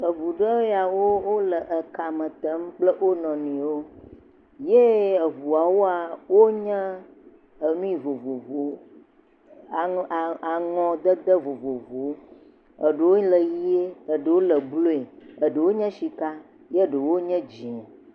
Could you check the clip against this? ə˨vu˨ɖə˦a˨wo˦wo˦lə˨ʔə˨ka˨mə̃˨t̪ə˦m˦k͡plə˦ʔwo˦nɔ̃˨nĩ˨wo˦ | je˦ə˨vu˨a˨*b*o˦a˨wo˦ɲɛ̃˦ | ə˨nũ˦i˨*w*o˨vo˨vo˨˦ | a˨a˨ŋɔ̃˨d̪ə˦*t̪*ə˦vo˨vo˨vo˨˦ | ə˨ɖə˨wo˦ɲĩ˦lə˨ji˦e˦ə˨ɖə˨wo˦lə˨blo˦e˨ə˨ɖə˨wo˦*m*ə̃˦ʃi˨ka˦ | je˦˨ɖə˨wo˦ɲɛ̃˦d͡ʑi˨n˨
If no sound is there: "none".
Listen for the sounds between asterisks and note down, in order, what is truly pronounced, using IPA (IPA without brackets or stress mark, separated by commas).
w, v, d̪, ɲ